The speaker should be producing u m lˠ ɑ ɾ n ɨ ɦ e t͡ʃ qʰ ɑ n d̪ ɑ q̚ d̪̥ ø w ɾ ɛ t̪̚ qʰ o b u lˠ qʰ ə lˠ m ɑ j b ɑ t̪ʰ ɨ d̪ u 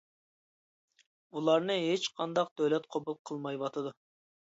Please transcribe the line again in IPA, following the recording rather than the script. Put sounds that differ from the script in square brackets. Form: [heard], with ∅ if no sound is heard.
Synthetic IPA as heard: u [∅] lˠ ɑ ɾ n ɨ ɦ e t͡ʃ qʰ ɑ n d̪ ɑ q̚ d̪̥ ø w [l] ɛ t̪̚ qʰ o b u lˠ qʰ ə lˠ m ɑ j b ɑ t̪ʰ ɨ d̪ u